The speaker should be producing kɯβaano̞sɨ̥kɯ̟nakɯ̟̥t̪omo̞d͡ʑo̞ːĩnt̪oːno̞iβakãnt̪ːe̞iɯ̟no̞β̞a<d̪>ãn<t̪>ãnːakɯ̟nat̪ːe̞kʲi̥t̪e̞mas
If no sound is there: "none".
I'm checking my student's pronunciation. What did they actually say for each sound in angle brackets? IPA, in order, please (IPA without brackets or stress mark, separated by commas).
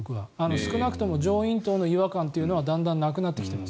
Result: d̪, d̪